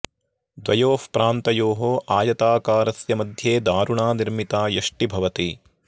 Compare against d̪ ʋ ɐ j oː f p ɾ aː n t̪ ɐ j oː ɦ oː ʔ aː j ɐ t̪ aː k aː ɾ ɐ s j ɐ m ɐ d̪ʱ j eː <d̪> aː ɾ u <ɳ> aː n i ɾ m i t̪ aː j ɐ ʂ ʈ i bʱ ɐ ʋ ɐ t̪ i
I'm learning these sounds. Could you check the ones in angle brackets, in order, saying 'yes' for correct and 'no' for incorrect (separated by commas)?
yes, yes